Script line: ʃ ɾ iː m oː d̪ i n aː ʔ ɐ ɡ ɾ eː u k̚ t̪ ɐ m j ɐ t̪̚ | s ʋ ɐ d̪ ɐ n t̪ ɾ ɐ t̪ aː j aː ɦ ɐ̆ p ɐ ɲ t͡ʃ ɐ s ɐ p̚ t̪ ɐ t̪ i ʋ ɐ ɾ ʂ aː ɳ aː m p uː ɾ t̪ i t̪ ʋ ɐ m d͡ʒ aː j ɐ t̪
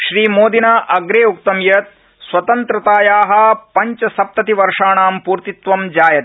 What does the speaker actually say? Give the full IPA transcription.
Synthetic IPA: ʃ ɾ iː m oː d̪ i n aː ʔ ɐ ɡ ɾ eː u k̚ t̪ ɐ m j ɐ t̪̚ | s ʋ ɐ t̪ ɐ n t̪ ɾ ɐ t̪ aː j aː ɦ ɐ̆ p ɐ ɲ t͡ʃ ɐ s ɐ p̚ t̪ ɐ t̪ i ʋ ɐ ɾ ʂ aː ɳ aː m p uː ɾ t̪ i t̪ ʋ ɐ m d͡ʒ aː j ɐ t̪